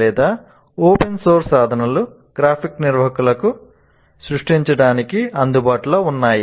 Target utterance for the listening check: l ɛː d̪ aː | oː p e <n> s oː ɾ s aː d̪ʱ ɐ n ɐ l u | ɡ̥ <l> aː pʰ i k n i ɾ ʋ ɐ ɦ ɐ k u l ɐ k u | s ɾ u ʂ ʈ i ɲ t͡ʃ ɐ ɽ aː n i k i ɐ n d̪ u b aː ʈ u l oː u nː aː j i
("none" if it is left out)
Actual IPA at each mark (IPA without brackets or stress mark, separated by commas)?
n, ɾ